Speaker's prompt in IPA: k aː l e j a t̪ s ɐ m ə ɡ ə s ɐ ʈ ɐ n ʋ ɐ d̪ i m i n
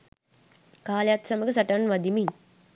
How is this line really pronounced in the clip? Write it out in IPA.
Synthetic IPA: k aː l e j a t̪ s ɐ m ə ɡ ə s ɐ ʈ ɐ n ʋ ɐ d̪ i m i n